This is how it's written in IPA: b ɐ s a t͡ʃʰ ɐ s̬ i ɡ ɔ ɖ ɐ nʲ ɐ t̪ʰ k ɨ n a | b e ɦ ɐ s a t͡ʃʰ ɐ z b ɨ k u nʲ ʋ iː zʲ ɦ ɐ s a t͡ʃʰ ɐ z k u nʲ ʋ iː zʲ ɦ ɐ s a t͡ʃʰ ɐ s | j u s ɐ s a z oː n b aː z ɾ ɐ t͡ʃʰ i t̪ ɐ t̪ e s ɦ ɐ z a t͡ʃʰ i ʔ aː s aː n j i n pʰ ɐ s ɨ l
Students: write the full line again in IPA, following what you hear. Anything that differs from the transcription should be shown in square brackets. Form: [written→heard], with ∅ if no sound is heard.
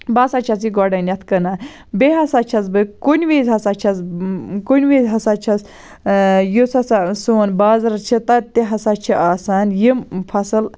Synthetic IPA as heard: b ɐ s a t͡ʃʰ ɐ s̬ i ɡ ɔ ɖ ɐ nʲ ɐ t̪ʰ k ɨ n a | b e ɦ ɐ s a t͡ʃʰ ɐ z b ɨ k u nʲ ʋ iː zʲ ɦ ɐ s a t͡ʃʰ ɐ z k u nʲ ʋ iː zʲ ɦ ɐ s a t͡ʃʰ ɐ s | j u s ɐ s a [z→s] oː n b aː z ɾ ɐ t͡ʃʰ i t̪ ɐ t̪ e [s→∅] ɦ ɐ [z→s] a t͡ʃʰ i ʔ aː s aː n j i [n→m] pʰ ɐ s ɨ l

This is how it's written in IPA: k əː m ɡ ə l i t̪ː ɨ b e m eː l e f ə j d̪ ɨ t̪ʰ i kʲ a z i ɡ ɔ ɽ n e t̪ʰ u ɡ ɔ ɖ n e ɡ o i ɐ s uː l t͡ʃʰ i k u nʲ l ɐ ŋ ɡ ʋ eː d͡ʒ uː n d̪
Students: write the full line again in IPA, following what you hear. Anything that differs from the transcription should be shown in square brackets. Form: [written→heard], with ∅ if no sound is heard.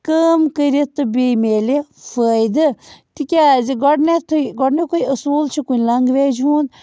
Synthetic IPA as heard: k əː m [ɡ→k] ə [l→ɾ] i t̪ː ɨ b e m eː l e f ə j d̪ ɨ [t̪ʰ→t̪] i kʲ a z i ɡ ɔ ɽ n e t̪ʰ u ɡ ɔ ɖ n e [ɡ→k] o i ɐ s uː l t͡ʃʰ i k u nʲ l ɐ ŋ ɡ ʋ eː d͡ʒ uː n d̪

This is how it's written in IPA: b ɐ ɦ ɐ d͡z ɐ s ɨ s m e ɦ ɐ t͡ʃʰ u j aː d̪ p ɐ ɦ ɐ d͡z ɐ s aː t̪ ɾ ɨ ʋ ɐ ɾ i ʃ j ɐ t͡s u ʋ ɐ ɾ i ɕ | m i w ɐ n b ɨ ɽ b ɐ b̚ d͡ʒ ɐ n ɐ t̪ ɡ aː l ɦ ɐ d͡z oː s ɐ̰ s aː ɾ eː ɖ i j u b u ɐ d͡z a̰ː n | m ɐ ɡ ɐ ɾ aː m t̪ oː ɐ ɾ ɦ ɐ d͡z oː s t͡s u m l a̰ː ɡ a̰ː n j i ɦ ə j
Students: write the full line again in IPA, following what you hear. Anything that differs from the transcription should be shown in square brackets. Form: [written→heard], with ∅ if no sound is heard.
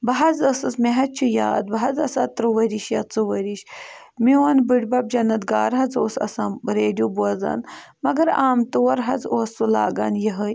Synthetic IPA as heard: b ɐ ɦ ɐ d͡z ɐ s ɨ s m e ɦ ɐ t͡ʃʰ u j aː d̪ [p→b] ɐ ɦ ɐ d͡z ɐ s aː t̪ ɾ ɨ ʋ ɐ ɾ i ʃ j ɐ t͡s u ʋ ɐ ɾ i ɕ | m i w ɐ n b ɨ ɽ b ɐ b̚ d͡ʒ ɐ n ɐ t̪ ɡ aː [l→ɾ] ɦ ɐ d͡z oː s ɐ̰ s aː ɾ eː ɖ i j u b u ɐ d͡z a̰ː n | m ɐ ɡ ɐ ɾ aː m t̪ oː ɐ ɾ ɦ ɐ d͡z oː s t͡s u [m→∅] l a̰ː ɡ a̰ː n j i ɦ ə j

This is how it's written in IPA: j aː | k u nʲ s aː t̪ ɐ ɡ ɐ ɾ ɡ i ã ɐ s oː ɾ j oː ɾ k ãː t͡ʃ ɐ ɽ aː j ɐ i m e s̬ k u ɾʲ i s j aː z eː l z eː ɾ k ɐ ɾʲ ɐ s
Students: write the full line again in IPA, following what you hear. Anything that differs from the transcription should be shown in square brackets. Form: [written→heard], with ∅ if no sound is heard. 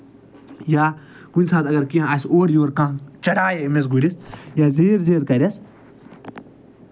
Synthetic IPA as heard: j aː | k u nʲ s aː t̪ ɐ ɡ ɐ ɾ [ɡ→k] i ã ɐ s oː ɾ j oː ɾ k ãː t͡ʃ ɐ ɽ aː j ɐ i m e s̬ [k→ɡ] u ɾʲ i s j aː z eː [l→ɾ] z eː ɾ k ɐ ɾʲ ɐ s

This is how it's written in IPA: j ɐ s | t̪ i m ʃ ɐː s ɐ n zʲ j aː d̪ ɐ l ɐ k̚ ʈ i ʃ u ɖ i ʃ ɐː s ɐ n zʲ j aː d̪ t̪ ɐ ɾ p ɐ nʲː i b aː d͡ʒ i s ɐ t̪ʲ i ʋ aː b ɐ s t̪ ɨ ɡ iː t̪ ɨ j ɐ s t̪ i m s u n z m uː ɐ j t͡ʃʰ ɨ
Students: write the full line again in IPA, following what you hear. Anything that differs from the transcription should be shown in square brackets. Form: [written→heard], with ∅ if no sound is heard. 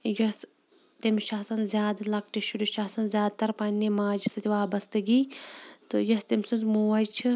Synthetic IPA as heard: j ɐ s | t̪ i m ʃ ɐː s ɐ n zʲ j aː d̪ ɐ l ɐ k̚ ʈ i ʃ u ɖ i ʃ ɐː s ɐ n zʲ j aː d̪ t̪ ɐ ɾ p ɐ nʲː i [b→m] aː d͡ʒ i s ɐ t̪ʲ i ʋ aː b ɐ s t̪ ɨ ɡ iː t̪ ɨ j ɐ s t̪ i m s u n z m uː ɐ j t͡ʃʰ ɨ

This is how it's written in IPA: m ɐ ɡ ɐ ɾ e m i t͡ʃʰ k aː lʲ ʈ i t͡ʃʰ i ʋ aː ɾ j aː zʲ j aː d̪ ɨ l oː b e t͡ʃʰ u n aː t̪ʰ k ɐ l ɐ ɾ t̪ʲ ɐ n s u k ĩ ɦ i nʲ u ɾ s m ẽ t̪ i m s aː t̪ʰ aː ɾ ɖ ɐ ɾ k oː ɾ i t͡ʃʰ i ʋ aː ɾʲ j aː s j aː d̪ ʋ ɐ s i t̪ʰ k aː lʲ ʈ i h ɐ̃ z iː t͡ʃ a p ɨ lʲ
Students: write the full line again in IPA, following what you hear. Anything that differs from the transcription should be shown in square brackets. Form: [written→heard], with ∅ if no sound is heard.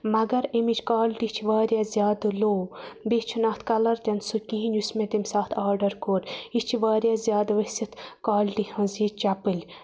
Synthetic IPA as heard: m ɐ ɡ ɐ ɾ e m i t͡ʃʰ k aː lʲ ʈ i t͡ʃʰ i ʋ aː ɾ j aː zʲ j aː d̪ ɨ l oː b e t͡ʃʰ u n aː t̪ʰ k ɐ l ɐ ɾ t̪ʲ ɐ n s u k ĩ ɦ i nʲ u [ɾ→∅] s m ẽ t̪ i m s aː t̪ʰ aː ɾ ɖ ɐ ɾ k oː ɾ i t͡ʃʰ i ʋ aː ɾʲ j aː [s→z] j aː d̪ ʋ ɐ s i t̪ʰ k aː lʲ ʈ i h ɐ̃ z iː t͡ʃ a p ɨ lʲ

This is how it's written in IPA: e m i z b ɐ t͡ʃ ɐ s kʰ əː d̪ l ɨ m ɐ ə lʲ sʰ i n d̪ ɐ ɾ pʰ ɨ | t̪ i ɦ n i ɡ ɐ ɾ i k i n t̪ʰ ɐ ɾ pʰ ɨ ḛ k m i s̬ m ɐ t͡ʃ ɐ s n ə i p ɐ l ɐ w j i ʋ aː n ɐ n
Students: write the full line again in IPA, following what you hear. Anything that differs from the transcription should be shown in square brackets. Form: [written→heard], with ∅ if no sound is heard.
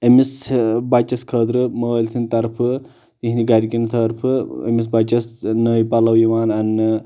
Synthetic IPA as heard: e m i [z→s] b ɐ t͡ʃ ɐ s kʰ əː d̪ [l→ɾ] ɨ m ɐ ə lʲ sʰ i n [d̪→t̪] ɐ ɾ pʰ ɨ | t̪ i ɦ n i ɡ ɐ ɾ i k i n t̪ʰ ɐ ɾ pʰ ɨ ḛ [k→∅] m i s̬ [m→b] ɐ t͡ʃ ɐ s n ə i p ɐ l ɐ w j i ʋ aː n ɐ n

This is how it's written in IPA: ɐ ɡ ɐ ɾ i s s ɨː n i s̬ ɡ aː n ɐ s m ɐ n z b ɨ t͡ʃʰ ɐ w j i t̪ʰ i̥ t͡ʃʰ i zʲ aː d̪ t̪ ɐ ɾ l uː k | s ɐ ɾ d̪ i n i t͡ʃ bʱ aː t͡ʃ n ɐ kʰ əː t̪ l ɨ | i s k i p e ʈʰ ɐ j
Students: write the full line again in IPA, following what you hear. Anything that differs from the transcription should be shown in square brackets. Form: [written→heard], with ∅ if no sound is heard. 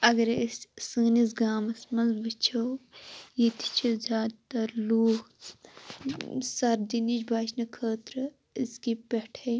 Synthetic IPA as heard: ɐ ɡ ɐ ɾ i s s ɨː n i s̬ ɡ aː [n→m] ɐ s m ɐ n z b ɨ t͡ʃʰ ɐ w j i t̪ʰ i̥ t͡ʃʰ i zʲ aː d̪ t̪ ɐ ɾ l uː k | s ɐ ɾ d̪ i n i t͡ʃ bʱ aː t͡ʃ n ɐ kʰ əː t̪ [l→ɾ] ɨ | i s k i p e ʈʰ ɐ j

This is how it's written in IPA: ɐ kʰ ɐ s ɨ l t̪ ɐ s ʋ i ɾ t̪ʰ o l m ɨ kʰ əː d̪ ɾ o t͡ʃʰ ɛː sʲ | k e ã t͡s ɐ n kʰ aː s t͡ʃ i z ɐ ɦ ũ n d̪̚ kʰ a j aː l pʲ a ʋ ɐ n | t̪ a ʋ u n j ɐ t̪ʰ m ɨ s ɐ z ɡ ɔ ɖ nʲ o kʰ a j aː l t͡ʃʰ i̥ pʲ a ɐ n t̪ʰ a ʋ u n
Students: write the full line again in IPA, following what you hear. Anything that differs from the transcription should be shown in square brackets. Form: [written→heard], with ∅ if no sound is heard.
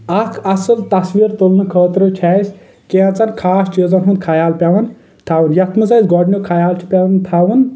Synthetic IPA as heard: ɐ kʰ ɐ s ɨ l t̪ ɐ s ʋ i ɾ [t̪ʰ→t̪] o l [m→n] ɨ kʰ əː [d̪→t̪] ɾ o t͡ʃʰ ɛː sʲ | k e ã t͡s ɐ n kʰ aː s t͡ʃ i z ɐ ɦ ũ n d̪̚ kʰ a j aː l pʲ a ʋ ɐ n | [t̪→t̪ʰ] a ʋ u n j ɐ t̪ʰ m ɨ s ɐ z ɡ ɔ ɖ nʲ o kʰ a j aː l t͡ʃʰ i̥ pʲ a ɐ n t̪ʰ a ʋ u n

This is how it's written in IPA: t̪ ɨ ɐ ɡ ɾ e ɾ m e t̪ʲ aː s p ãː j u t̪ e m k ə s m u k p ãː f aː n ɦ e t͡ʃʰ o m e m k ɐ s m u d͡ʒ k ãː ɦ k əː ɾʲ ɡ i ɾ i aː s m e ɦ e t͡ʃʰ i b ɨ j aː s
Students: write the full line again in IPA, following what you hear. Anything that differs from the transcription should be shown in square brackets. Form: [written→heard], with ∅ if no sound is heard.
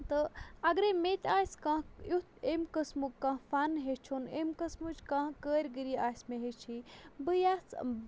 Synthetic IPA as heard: t̪ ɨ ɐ ɡ ɾ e [ɾ→∅] m e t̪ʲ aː s [p→k] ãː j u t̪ e m k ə s m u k [p→k] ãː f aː n ɦ e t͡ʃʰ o [m→n] e m k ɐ s m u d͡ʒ k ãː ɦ k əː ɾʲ ɡ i ɾ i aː s m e ɦ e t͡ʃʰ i b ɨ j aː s

